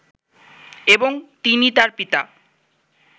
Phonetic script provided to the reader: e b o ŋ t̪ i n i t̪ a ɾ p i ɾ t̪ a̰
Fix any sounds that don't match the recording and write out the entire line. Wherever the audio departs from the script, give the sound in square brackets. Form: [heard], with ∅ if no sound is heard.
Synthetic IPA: e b o ŋ t̪ i n i t̪ a ɾ p i [∅] t̪ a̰